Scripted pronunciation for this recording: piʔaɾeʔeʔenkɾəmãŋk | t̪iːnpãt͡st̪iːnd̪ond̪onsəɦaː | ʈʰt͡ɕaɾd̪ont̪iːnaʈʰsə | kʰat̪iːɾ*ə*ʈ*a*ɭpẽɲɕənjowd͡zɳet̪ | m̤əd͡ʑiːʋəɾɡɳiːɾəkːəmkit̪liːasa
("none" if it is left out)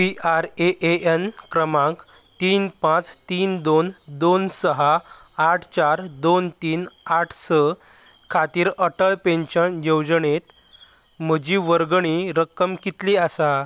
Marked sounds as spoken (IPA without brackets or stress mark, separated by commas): ə, ə